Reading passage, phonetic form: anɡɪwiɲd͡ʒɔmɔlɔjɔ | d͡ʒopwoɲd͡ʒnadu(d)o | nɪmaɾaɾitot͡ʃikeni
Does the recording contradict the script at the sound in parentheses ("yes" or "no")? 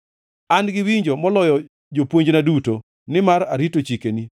yes